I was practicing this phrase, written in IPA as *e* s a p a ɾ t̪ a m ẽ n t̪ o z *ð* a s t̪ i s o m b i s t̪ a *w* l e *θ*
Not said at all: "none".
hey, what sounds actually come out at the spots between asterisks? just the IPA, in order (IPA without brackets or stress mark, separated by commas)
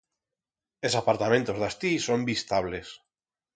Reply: e, ð, β, s